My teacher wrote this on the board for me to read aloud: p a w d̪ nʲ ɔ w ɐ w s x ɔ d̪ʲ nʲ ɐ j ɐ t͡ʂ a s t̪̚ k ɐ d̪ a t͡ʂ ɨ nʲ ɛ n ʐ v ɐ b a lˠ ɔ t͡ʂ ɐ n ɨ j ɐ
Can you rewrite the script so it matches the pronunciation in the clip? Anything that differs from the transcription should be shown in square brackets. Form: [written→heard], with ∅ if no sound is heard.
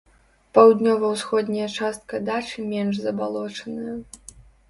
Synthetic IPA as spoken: p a w d̪ nʲ ɔ [w→v] ɐ w s x ɔ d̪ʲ nʲ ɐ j ɐ t͡ʂ a s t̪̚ k ɐ d̪ a t͡ʂ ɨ [nʲ→mʲ] ɛ n ʐ [v→z] ɐ b a lˠ ɔ t͡ʂ ɐ n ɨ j ɐ

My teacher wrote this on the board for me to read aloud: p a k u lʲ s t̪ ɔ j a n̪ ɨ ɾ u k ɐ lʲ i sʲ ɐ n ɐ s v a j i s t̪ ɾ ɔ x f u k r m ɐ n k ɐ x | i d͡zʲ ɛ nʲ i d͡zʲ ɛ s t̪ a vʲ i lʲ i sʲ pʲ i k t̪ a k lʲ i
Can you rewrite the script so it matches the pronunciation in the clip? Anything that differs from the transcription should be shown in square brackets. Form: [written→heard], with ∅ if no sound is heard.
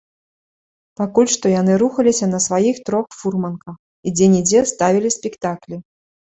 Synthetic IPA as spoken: p a k u lʲ [s→ʂ] t̪ ɔ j a n̪ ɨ ɾ u [k→x] ɐ lʲ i sʲ ɐ n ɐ s v a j i [s→x] t̪ ɾ ɔ x f u [k→∅] r m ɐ n k ɐ x | i d͡zʲ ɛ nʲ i d͡zʲ ɛ s t̪ a vʲ i lʲ i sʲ pʲ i k t̪ a k lʲ i

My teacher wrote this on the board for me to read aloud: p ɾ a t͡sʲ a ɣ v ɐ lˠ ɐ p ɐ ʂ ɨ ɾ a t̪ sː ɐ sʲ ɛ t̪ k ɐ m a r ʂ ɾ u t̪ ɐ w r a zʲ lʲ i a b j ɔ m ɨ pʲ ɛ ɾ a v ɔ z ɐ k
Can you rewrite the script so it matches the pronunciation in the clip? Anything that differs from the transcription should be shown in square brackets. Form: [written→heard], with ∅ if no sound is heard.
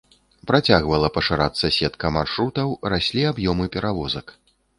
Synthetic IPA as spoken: p ɾ a t͡sʲ a ɣ v ɐ lˠ ɐ p ɐ ʂ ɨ ɾ a t̪ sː ɐ sʲ ɛ t̪ k ɐ m a r ʂ ɾ u t̪ ɐ w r a [zʲ→sʲ] lʲ i a b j ɔ m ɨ pʲ ɛ ɾ a v ɔ z ɐ k

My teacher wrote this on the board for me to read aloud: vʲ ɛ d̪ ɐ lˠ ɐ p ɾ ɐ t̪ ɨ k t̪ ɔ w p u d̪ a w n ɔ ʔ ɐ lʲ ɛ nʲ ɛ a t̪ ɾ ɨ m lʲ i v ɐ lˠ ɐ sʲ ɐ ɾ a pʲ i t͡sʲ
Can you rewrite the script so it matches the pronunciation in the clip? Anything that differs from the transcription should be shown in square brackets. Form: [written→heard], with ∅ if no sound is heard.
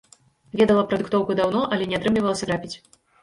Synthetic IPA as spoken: vʲ ɛ d̪ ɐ lˠ ɐ p ɾ ɐ [t̪→d̪] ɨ k t̪ ɔ w [p→k] u d̪ a w n ɔ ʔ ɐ lʲ ɛ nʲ ɛ a t̪ ɾ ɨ m lʲ i v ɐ lˠ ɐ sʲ ɐ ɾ a pʲ i t͡sʲ

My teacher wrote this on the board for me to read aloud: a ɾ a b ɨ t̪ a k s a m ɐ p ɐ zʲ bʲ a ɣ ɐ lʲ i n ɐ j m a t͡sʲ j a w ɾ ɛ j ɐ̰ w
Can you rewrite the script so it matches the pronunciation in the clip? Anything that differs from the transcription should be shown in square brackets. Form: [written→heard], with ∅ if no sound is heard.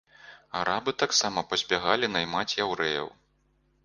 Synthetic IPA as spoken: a ɾ a b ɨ t̪ a k s a m ɐ p ɐ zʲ bʲ a ɣ [ɐ→a] lʲ i n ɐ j m a t͡sʲ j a w ɾ ɛ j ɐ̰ w

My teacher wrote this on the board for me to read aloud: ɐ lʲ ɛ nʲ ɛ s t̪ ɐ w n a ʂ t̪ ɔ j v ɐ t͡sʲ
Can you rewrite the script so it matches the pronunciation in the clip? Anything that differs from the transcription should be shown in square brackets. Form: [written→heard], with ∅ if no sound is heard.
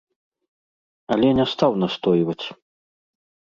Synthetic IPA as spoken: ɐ lʲ ɛ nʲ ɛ s t̪ [ɐ→a] w n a [ʂ→s] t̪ ɔ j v ɐ t͡sʲ

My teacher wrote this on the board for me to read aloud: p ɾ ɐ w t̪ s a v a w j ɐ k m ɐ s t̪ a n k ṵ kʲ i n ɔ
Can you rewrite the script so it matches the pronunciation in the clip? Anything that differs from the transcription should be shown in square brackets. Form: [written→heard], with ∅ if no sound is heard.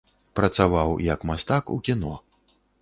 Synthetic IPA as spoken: p ɾ ɐ [w→∅] t̪ s a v a w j ɐ k m [ɐ→a] s t̪ a [n→∅] k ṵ kʲ i n ɔ

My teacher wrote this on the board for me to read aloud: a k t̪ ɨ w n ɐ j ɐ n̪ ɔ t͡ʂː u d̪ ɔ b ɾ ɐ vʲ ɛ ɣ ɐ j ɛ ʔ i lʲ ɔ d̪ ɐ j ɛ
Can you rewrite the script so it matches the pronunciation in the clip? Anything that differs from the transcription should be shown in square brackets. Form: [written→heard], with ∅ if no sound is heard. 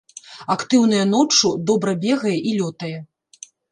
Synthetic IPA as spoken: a k t̪ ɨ w n ɐ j ɐ n̪ ɔ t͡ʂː u d̪ ɔ b ɾ ɐ [vʲ→bʲ] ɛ ɣ ɐ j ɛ ʔ i lʲ ɔ [d̪→t̪] ɐ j ɛ

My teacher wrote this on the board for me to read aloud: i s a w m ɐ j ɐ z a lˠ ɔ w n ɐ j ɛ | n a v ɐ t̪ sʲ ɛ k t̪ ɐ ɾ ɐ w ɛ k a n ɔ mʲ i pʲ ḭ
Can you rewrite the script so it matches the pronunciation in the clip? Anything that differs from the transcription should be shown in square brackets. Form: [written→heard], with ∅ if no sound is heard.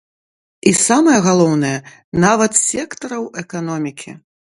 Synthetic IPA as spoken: i s a [w→∅] m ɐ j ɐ [z→ɣ] a lˠ ɔ w n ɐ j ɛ | n a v ɐ t̪ sʲ ɛ k t̪ ɐ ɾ ɐ w ɛ k a n ɔ mʲ i [pʲ→kʲ] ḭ

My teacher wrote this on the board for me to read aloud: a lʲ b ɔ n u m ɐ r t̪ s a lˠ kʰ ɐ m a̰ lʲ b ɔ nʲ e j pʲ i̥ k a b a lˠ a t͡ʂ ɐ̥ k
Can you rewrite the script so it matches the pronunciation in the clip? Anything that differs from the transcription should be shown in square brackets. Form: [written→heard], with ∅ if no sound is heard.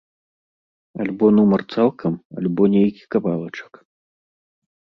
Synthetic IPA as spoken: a lʲ b ɔ n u m ɐ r t̪ s a lˠ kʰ ɐ m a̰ lʲ b ɔ nʲ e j [pʲ→kʲ] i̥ k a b a lˠ [a→ɐ] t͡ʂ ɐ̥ k

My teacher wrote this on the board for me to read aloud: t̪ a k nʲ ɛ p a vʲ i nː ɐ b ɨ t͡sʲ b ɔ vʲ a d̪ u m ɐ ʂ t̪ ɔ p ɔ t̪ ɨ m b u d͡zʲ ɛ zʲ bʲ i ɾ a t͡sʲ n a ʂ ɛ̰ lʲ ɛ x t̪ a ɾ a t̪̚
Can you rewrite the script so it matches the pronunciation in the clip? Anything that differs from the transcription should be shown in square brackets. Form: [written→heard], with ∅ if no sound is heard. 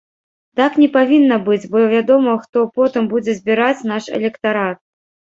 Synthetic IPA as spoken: t̪ a k nʲ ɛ p a vʲ i nː ɐ b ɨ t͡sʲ b ɔ vʲ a d̪ [u→ɔ] m ɐ [ʂ→x] t̪ ɔ p ɔ t̪ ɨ m b u d͡zʲ ɛ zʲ bʲ i ɾ a t͡sʲ n a ʂ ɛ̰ lʲ ɛ [x→k] t̪ a ɾ a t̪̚

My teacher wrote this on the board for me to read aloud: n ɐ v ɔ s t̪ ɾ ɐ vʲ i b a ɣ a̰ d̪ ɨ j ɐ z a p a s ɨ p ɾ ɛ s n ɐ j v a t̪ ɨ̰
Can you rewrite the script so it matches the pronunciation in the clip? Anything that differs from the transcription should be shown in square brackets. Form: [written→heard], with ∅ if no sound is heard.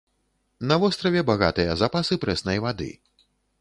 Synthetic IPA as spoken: n ɐ v ɔ s t̪ ɾ ɐ vʲ [i→ɛ] b a ɣ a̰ [d̪→t̪] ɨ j ɐ z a p a s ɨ p ɾ ɛ s n ɐ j v a [t̪→d̪] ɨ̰

